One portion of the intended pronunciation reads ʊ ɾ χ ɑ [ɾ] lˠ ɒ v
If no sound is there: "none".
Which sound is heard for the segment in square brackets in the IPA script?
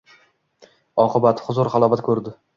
none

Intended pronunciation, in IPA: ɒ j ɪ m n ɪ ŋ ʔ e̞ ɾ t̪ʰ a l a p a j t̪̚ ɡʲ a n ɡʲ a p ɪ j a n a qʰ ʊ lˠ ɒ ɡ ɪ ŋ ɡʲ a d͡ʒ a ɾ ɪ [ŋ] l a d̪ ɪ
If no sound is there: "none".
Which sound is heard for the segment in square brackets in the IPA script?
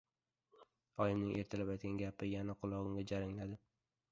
ŋ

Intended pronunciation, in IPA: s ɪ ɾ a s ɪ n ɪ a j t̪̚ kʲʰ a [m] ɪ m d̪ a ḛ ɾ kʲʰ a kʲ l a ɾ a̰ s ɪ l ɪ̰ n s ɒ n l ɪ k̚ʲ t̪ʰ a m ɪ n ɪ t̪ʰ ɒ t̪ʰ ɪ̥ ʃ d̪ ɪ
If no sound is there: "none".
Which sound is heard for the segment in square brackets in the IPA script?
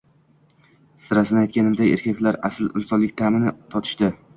n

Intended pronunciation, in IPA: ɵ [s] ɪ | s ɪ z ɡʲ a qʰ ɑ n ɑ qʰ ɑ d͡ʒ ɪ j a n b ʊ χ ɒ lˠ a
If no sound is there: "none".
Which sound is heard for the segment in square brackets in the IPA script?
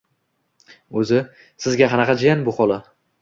z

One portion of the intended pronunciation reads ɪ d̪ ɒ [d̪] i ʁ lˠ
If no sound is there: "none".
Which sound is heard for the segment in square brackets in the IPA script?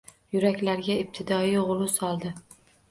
none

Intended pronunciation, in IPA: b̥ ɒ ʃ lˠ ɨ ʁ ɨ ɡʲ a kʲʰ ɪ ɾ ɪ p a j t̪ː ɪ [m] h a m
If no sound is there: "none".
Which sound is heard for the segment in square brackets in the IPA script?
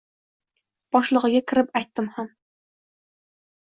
m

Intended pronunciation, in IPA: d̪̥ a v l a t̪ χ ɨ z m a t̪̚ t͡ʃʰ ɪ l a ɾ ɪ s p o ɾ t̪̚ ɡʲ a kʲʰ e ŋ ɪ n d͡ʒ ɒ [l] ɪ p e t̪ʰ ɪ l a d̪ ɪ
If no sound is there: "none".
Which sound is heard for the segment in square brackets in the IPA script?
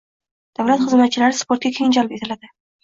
l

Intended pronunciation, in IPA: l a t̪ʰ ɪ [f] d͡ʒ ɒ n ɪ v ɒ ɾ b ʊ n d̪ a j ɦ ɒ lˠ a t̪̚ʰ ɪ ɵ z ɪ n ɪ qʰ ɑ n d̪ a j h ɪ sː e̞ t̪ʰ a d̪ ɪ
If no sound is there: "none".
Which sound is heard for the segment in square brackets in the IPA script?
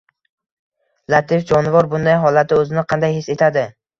f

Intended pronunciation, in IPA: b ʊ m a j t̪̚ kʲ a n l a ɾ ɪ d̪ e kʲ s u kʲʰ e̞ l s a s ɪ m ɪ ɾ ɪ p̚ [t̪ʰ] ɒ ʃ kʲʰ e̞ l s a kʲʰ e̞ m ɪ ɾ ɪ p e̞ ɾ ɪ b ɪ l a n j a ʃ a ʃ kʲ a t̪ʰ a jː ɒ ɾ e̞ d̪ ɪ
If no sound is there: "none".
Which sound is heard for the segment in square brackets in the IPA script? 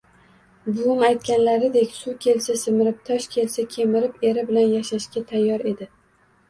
t̪ʰ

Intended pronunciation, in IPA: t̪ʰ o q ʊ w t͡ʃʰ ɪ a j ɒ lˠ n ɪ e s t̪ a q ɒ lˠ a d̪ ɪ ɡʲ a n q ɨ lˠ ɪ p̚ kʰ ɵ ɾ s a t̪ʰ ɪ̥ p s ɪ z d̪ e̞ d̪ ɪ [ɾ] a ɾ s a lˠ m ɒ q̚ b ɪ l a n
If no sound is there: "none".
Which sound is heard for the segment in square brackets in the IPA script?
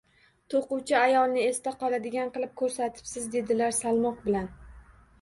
l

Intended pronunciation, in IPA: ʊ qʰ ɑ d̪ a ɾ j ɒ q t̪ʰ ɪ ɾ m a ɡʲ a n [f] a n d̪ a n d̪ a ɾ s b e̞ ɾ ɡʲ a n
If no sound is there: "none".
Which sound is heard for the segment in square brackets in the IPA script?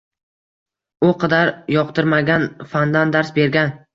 f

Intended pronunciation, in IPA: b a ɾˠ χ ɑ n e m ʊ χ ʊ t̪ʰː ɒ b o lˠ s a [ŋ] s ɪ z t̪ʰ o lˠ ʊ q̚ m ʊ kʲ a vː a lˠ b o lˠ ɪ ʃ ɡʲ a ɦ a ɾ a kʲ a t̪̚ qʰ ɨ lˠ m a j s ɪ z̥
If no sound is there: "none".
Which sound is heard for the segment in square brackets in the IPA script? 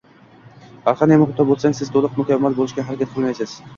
ŋ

